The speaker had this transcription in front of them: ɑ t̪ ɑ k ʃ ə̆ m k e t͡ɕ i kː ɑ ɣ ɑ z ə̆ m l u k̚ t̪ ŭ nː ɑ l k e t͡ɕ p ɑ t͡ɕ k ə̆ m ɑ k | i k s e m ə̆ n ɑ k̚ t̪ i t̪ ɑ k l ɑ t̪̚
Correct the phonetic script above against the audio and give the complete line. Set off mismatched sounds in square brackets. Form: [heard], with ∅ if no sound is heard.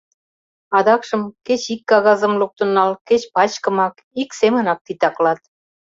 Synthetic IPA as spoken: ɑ [d̪] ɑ k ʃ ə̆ m k e t͡ɕ i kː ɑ ɣ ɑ z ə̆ m l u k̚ t̪ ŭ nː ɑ l k e t͡ɕ p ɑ t͡ɕ k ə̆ m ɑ k | i k s e m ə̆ n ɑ k̚ t̪ i t̪ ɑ k l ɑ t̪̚